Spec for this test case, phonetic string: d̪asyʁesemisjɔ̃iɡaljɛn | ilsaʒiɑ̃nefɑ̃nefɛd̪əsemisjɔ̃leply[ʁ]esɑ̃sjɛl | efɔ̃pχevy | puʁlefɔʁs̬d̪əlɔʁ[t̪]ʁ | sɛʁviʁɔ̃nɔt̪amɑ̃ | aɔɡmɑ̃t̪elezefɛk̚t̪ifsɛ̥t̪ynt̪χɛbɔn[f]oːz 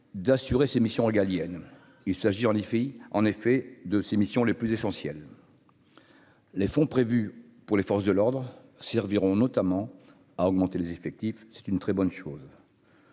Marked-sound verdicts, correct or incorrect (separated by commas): incorrect, incorrect, incorrect